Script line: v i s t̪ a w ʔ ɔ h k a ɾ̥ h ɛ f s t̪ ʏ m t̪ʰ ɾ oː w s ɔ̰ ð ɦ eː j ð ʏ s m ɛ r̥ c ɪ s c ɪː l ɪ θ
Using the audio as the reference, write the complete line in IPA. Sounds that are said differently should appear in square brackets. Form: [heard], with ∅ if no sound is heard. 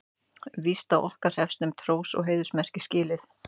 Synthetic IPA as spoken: v i s t̪ a w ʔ ɔ h k a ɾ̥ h ɛ f s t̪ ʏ m t̪ʰ ɾ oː w s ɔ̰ [ɣ] ɦ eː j ð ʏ s m ɛ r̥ c ɪ s c ɪː l ɪ θ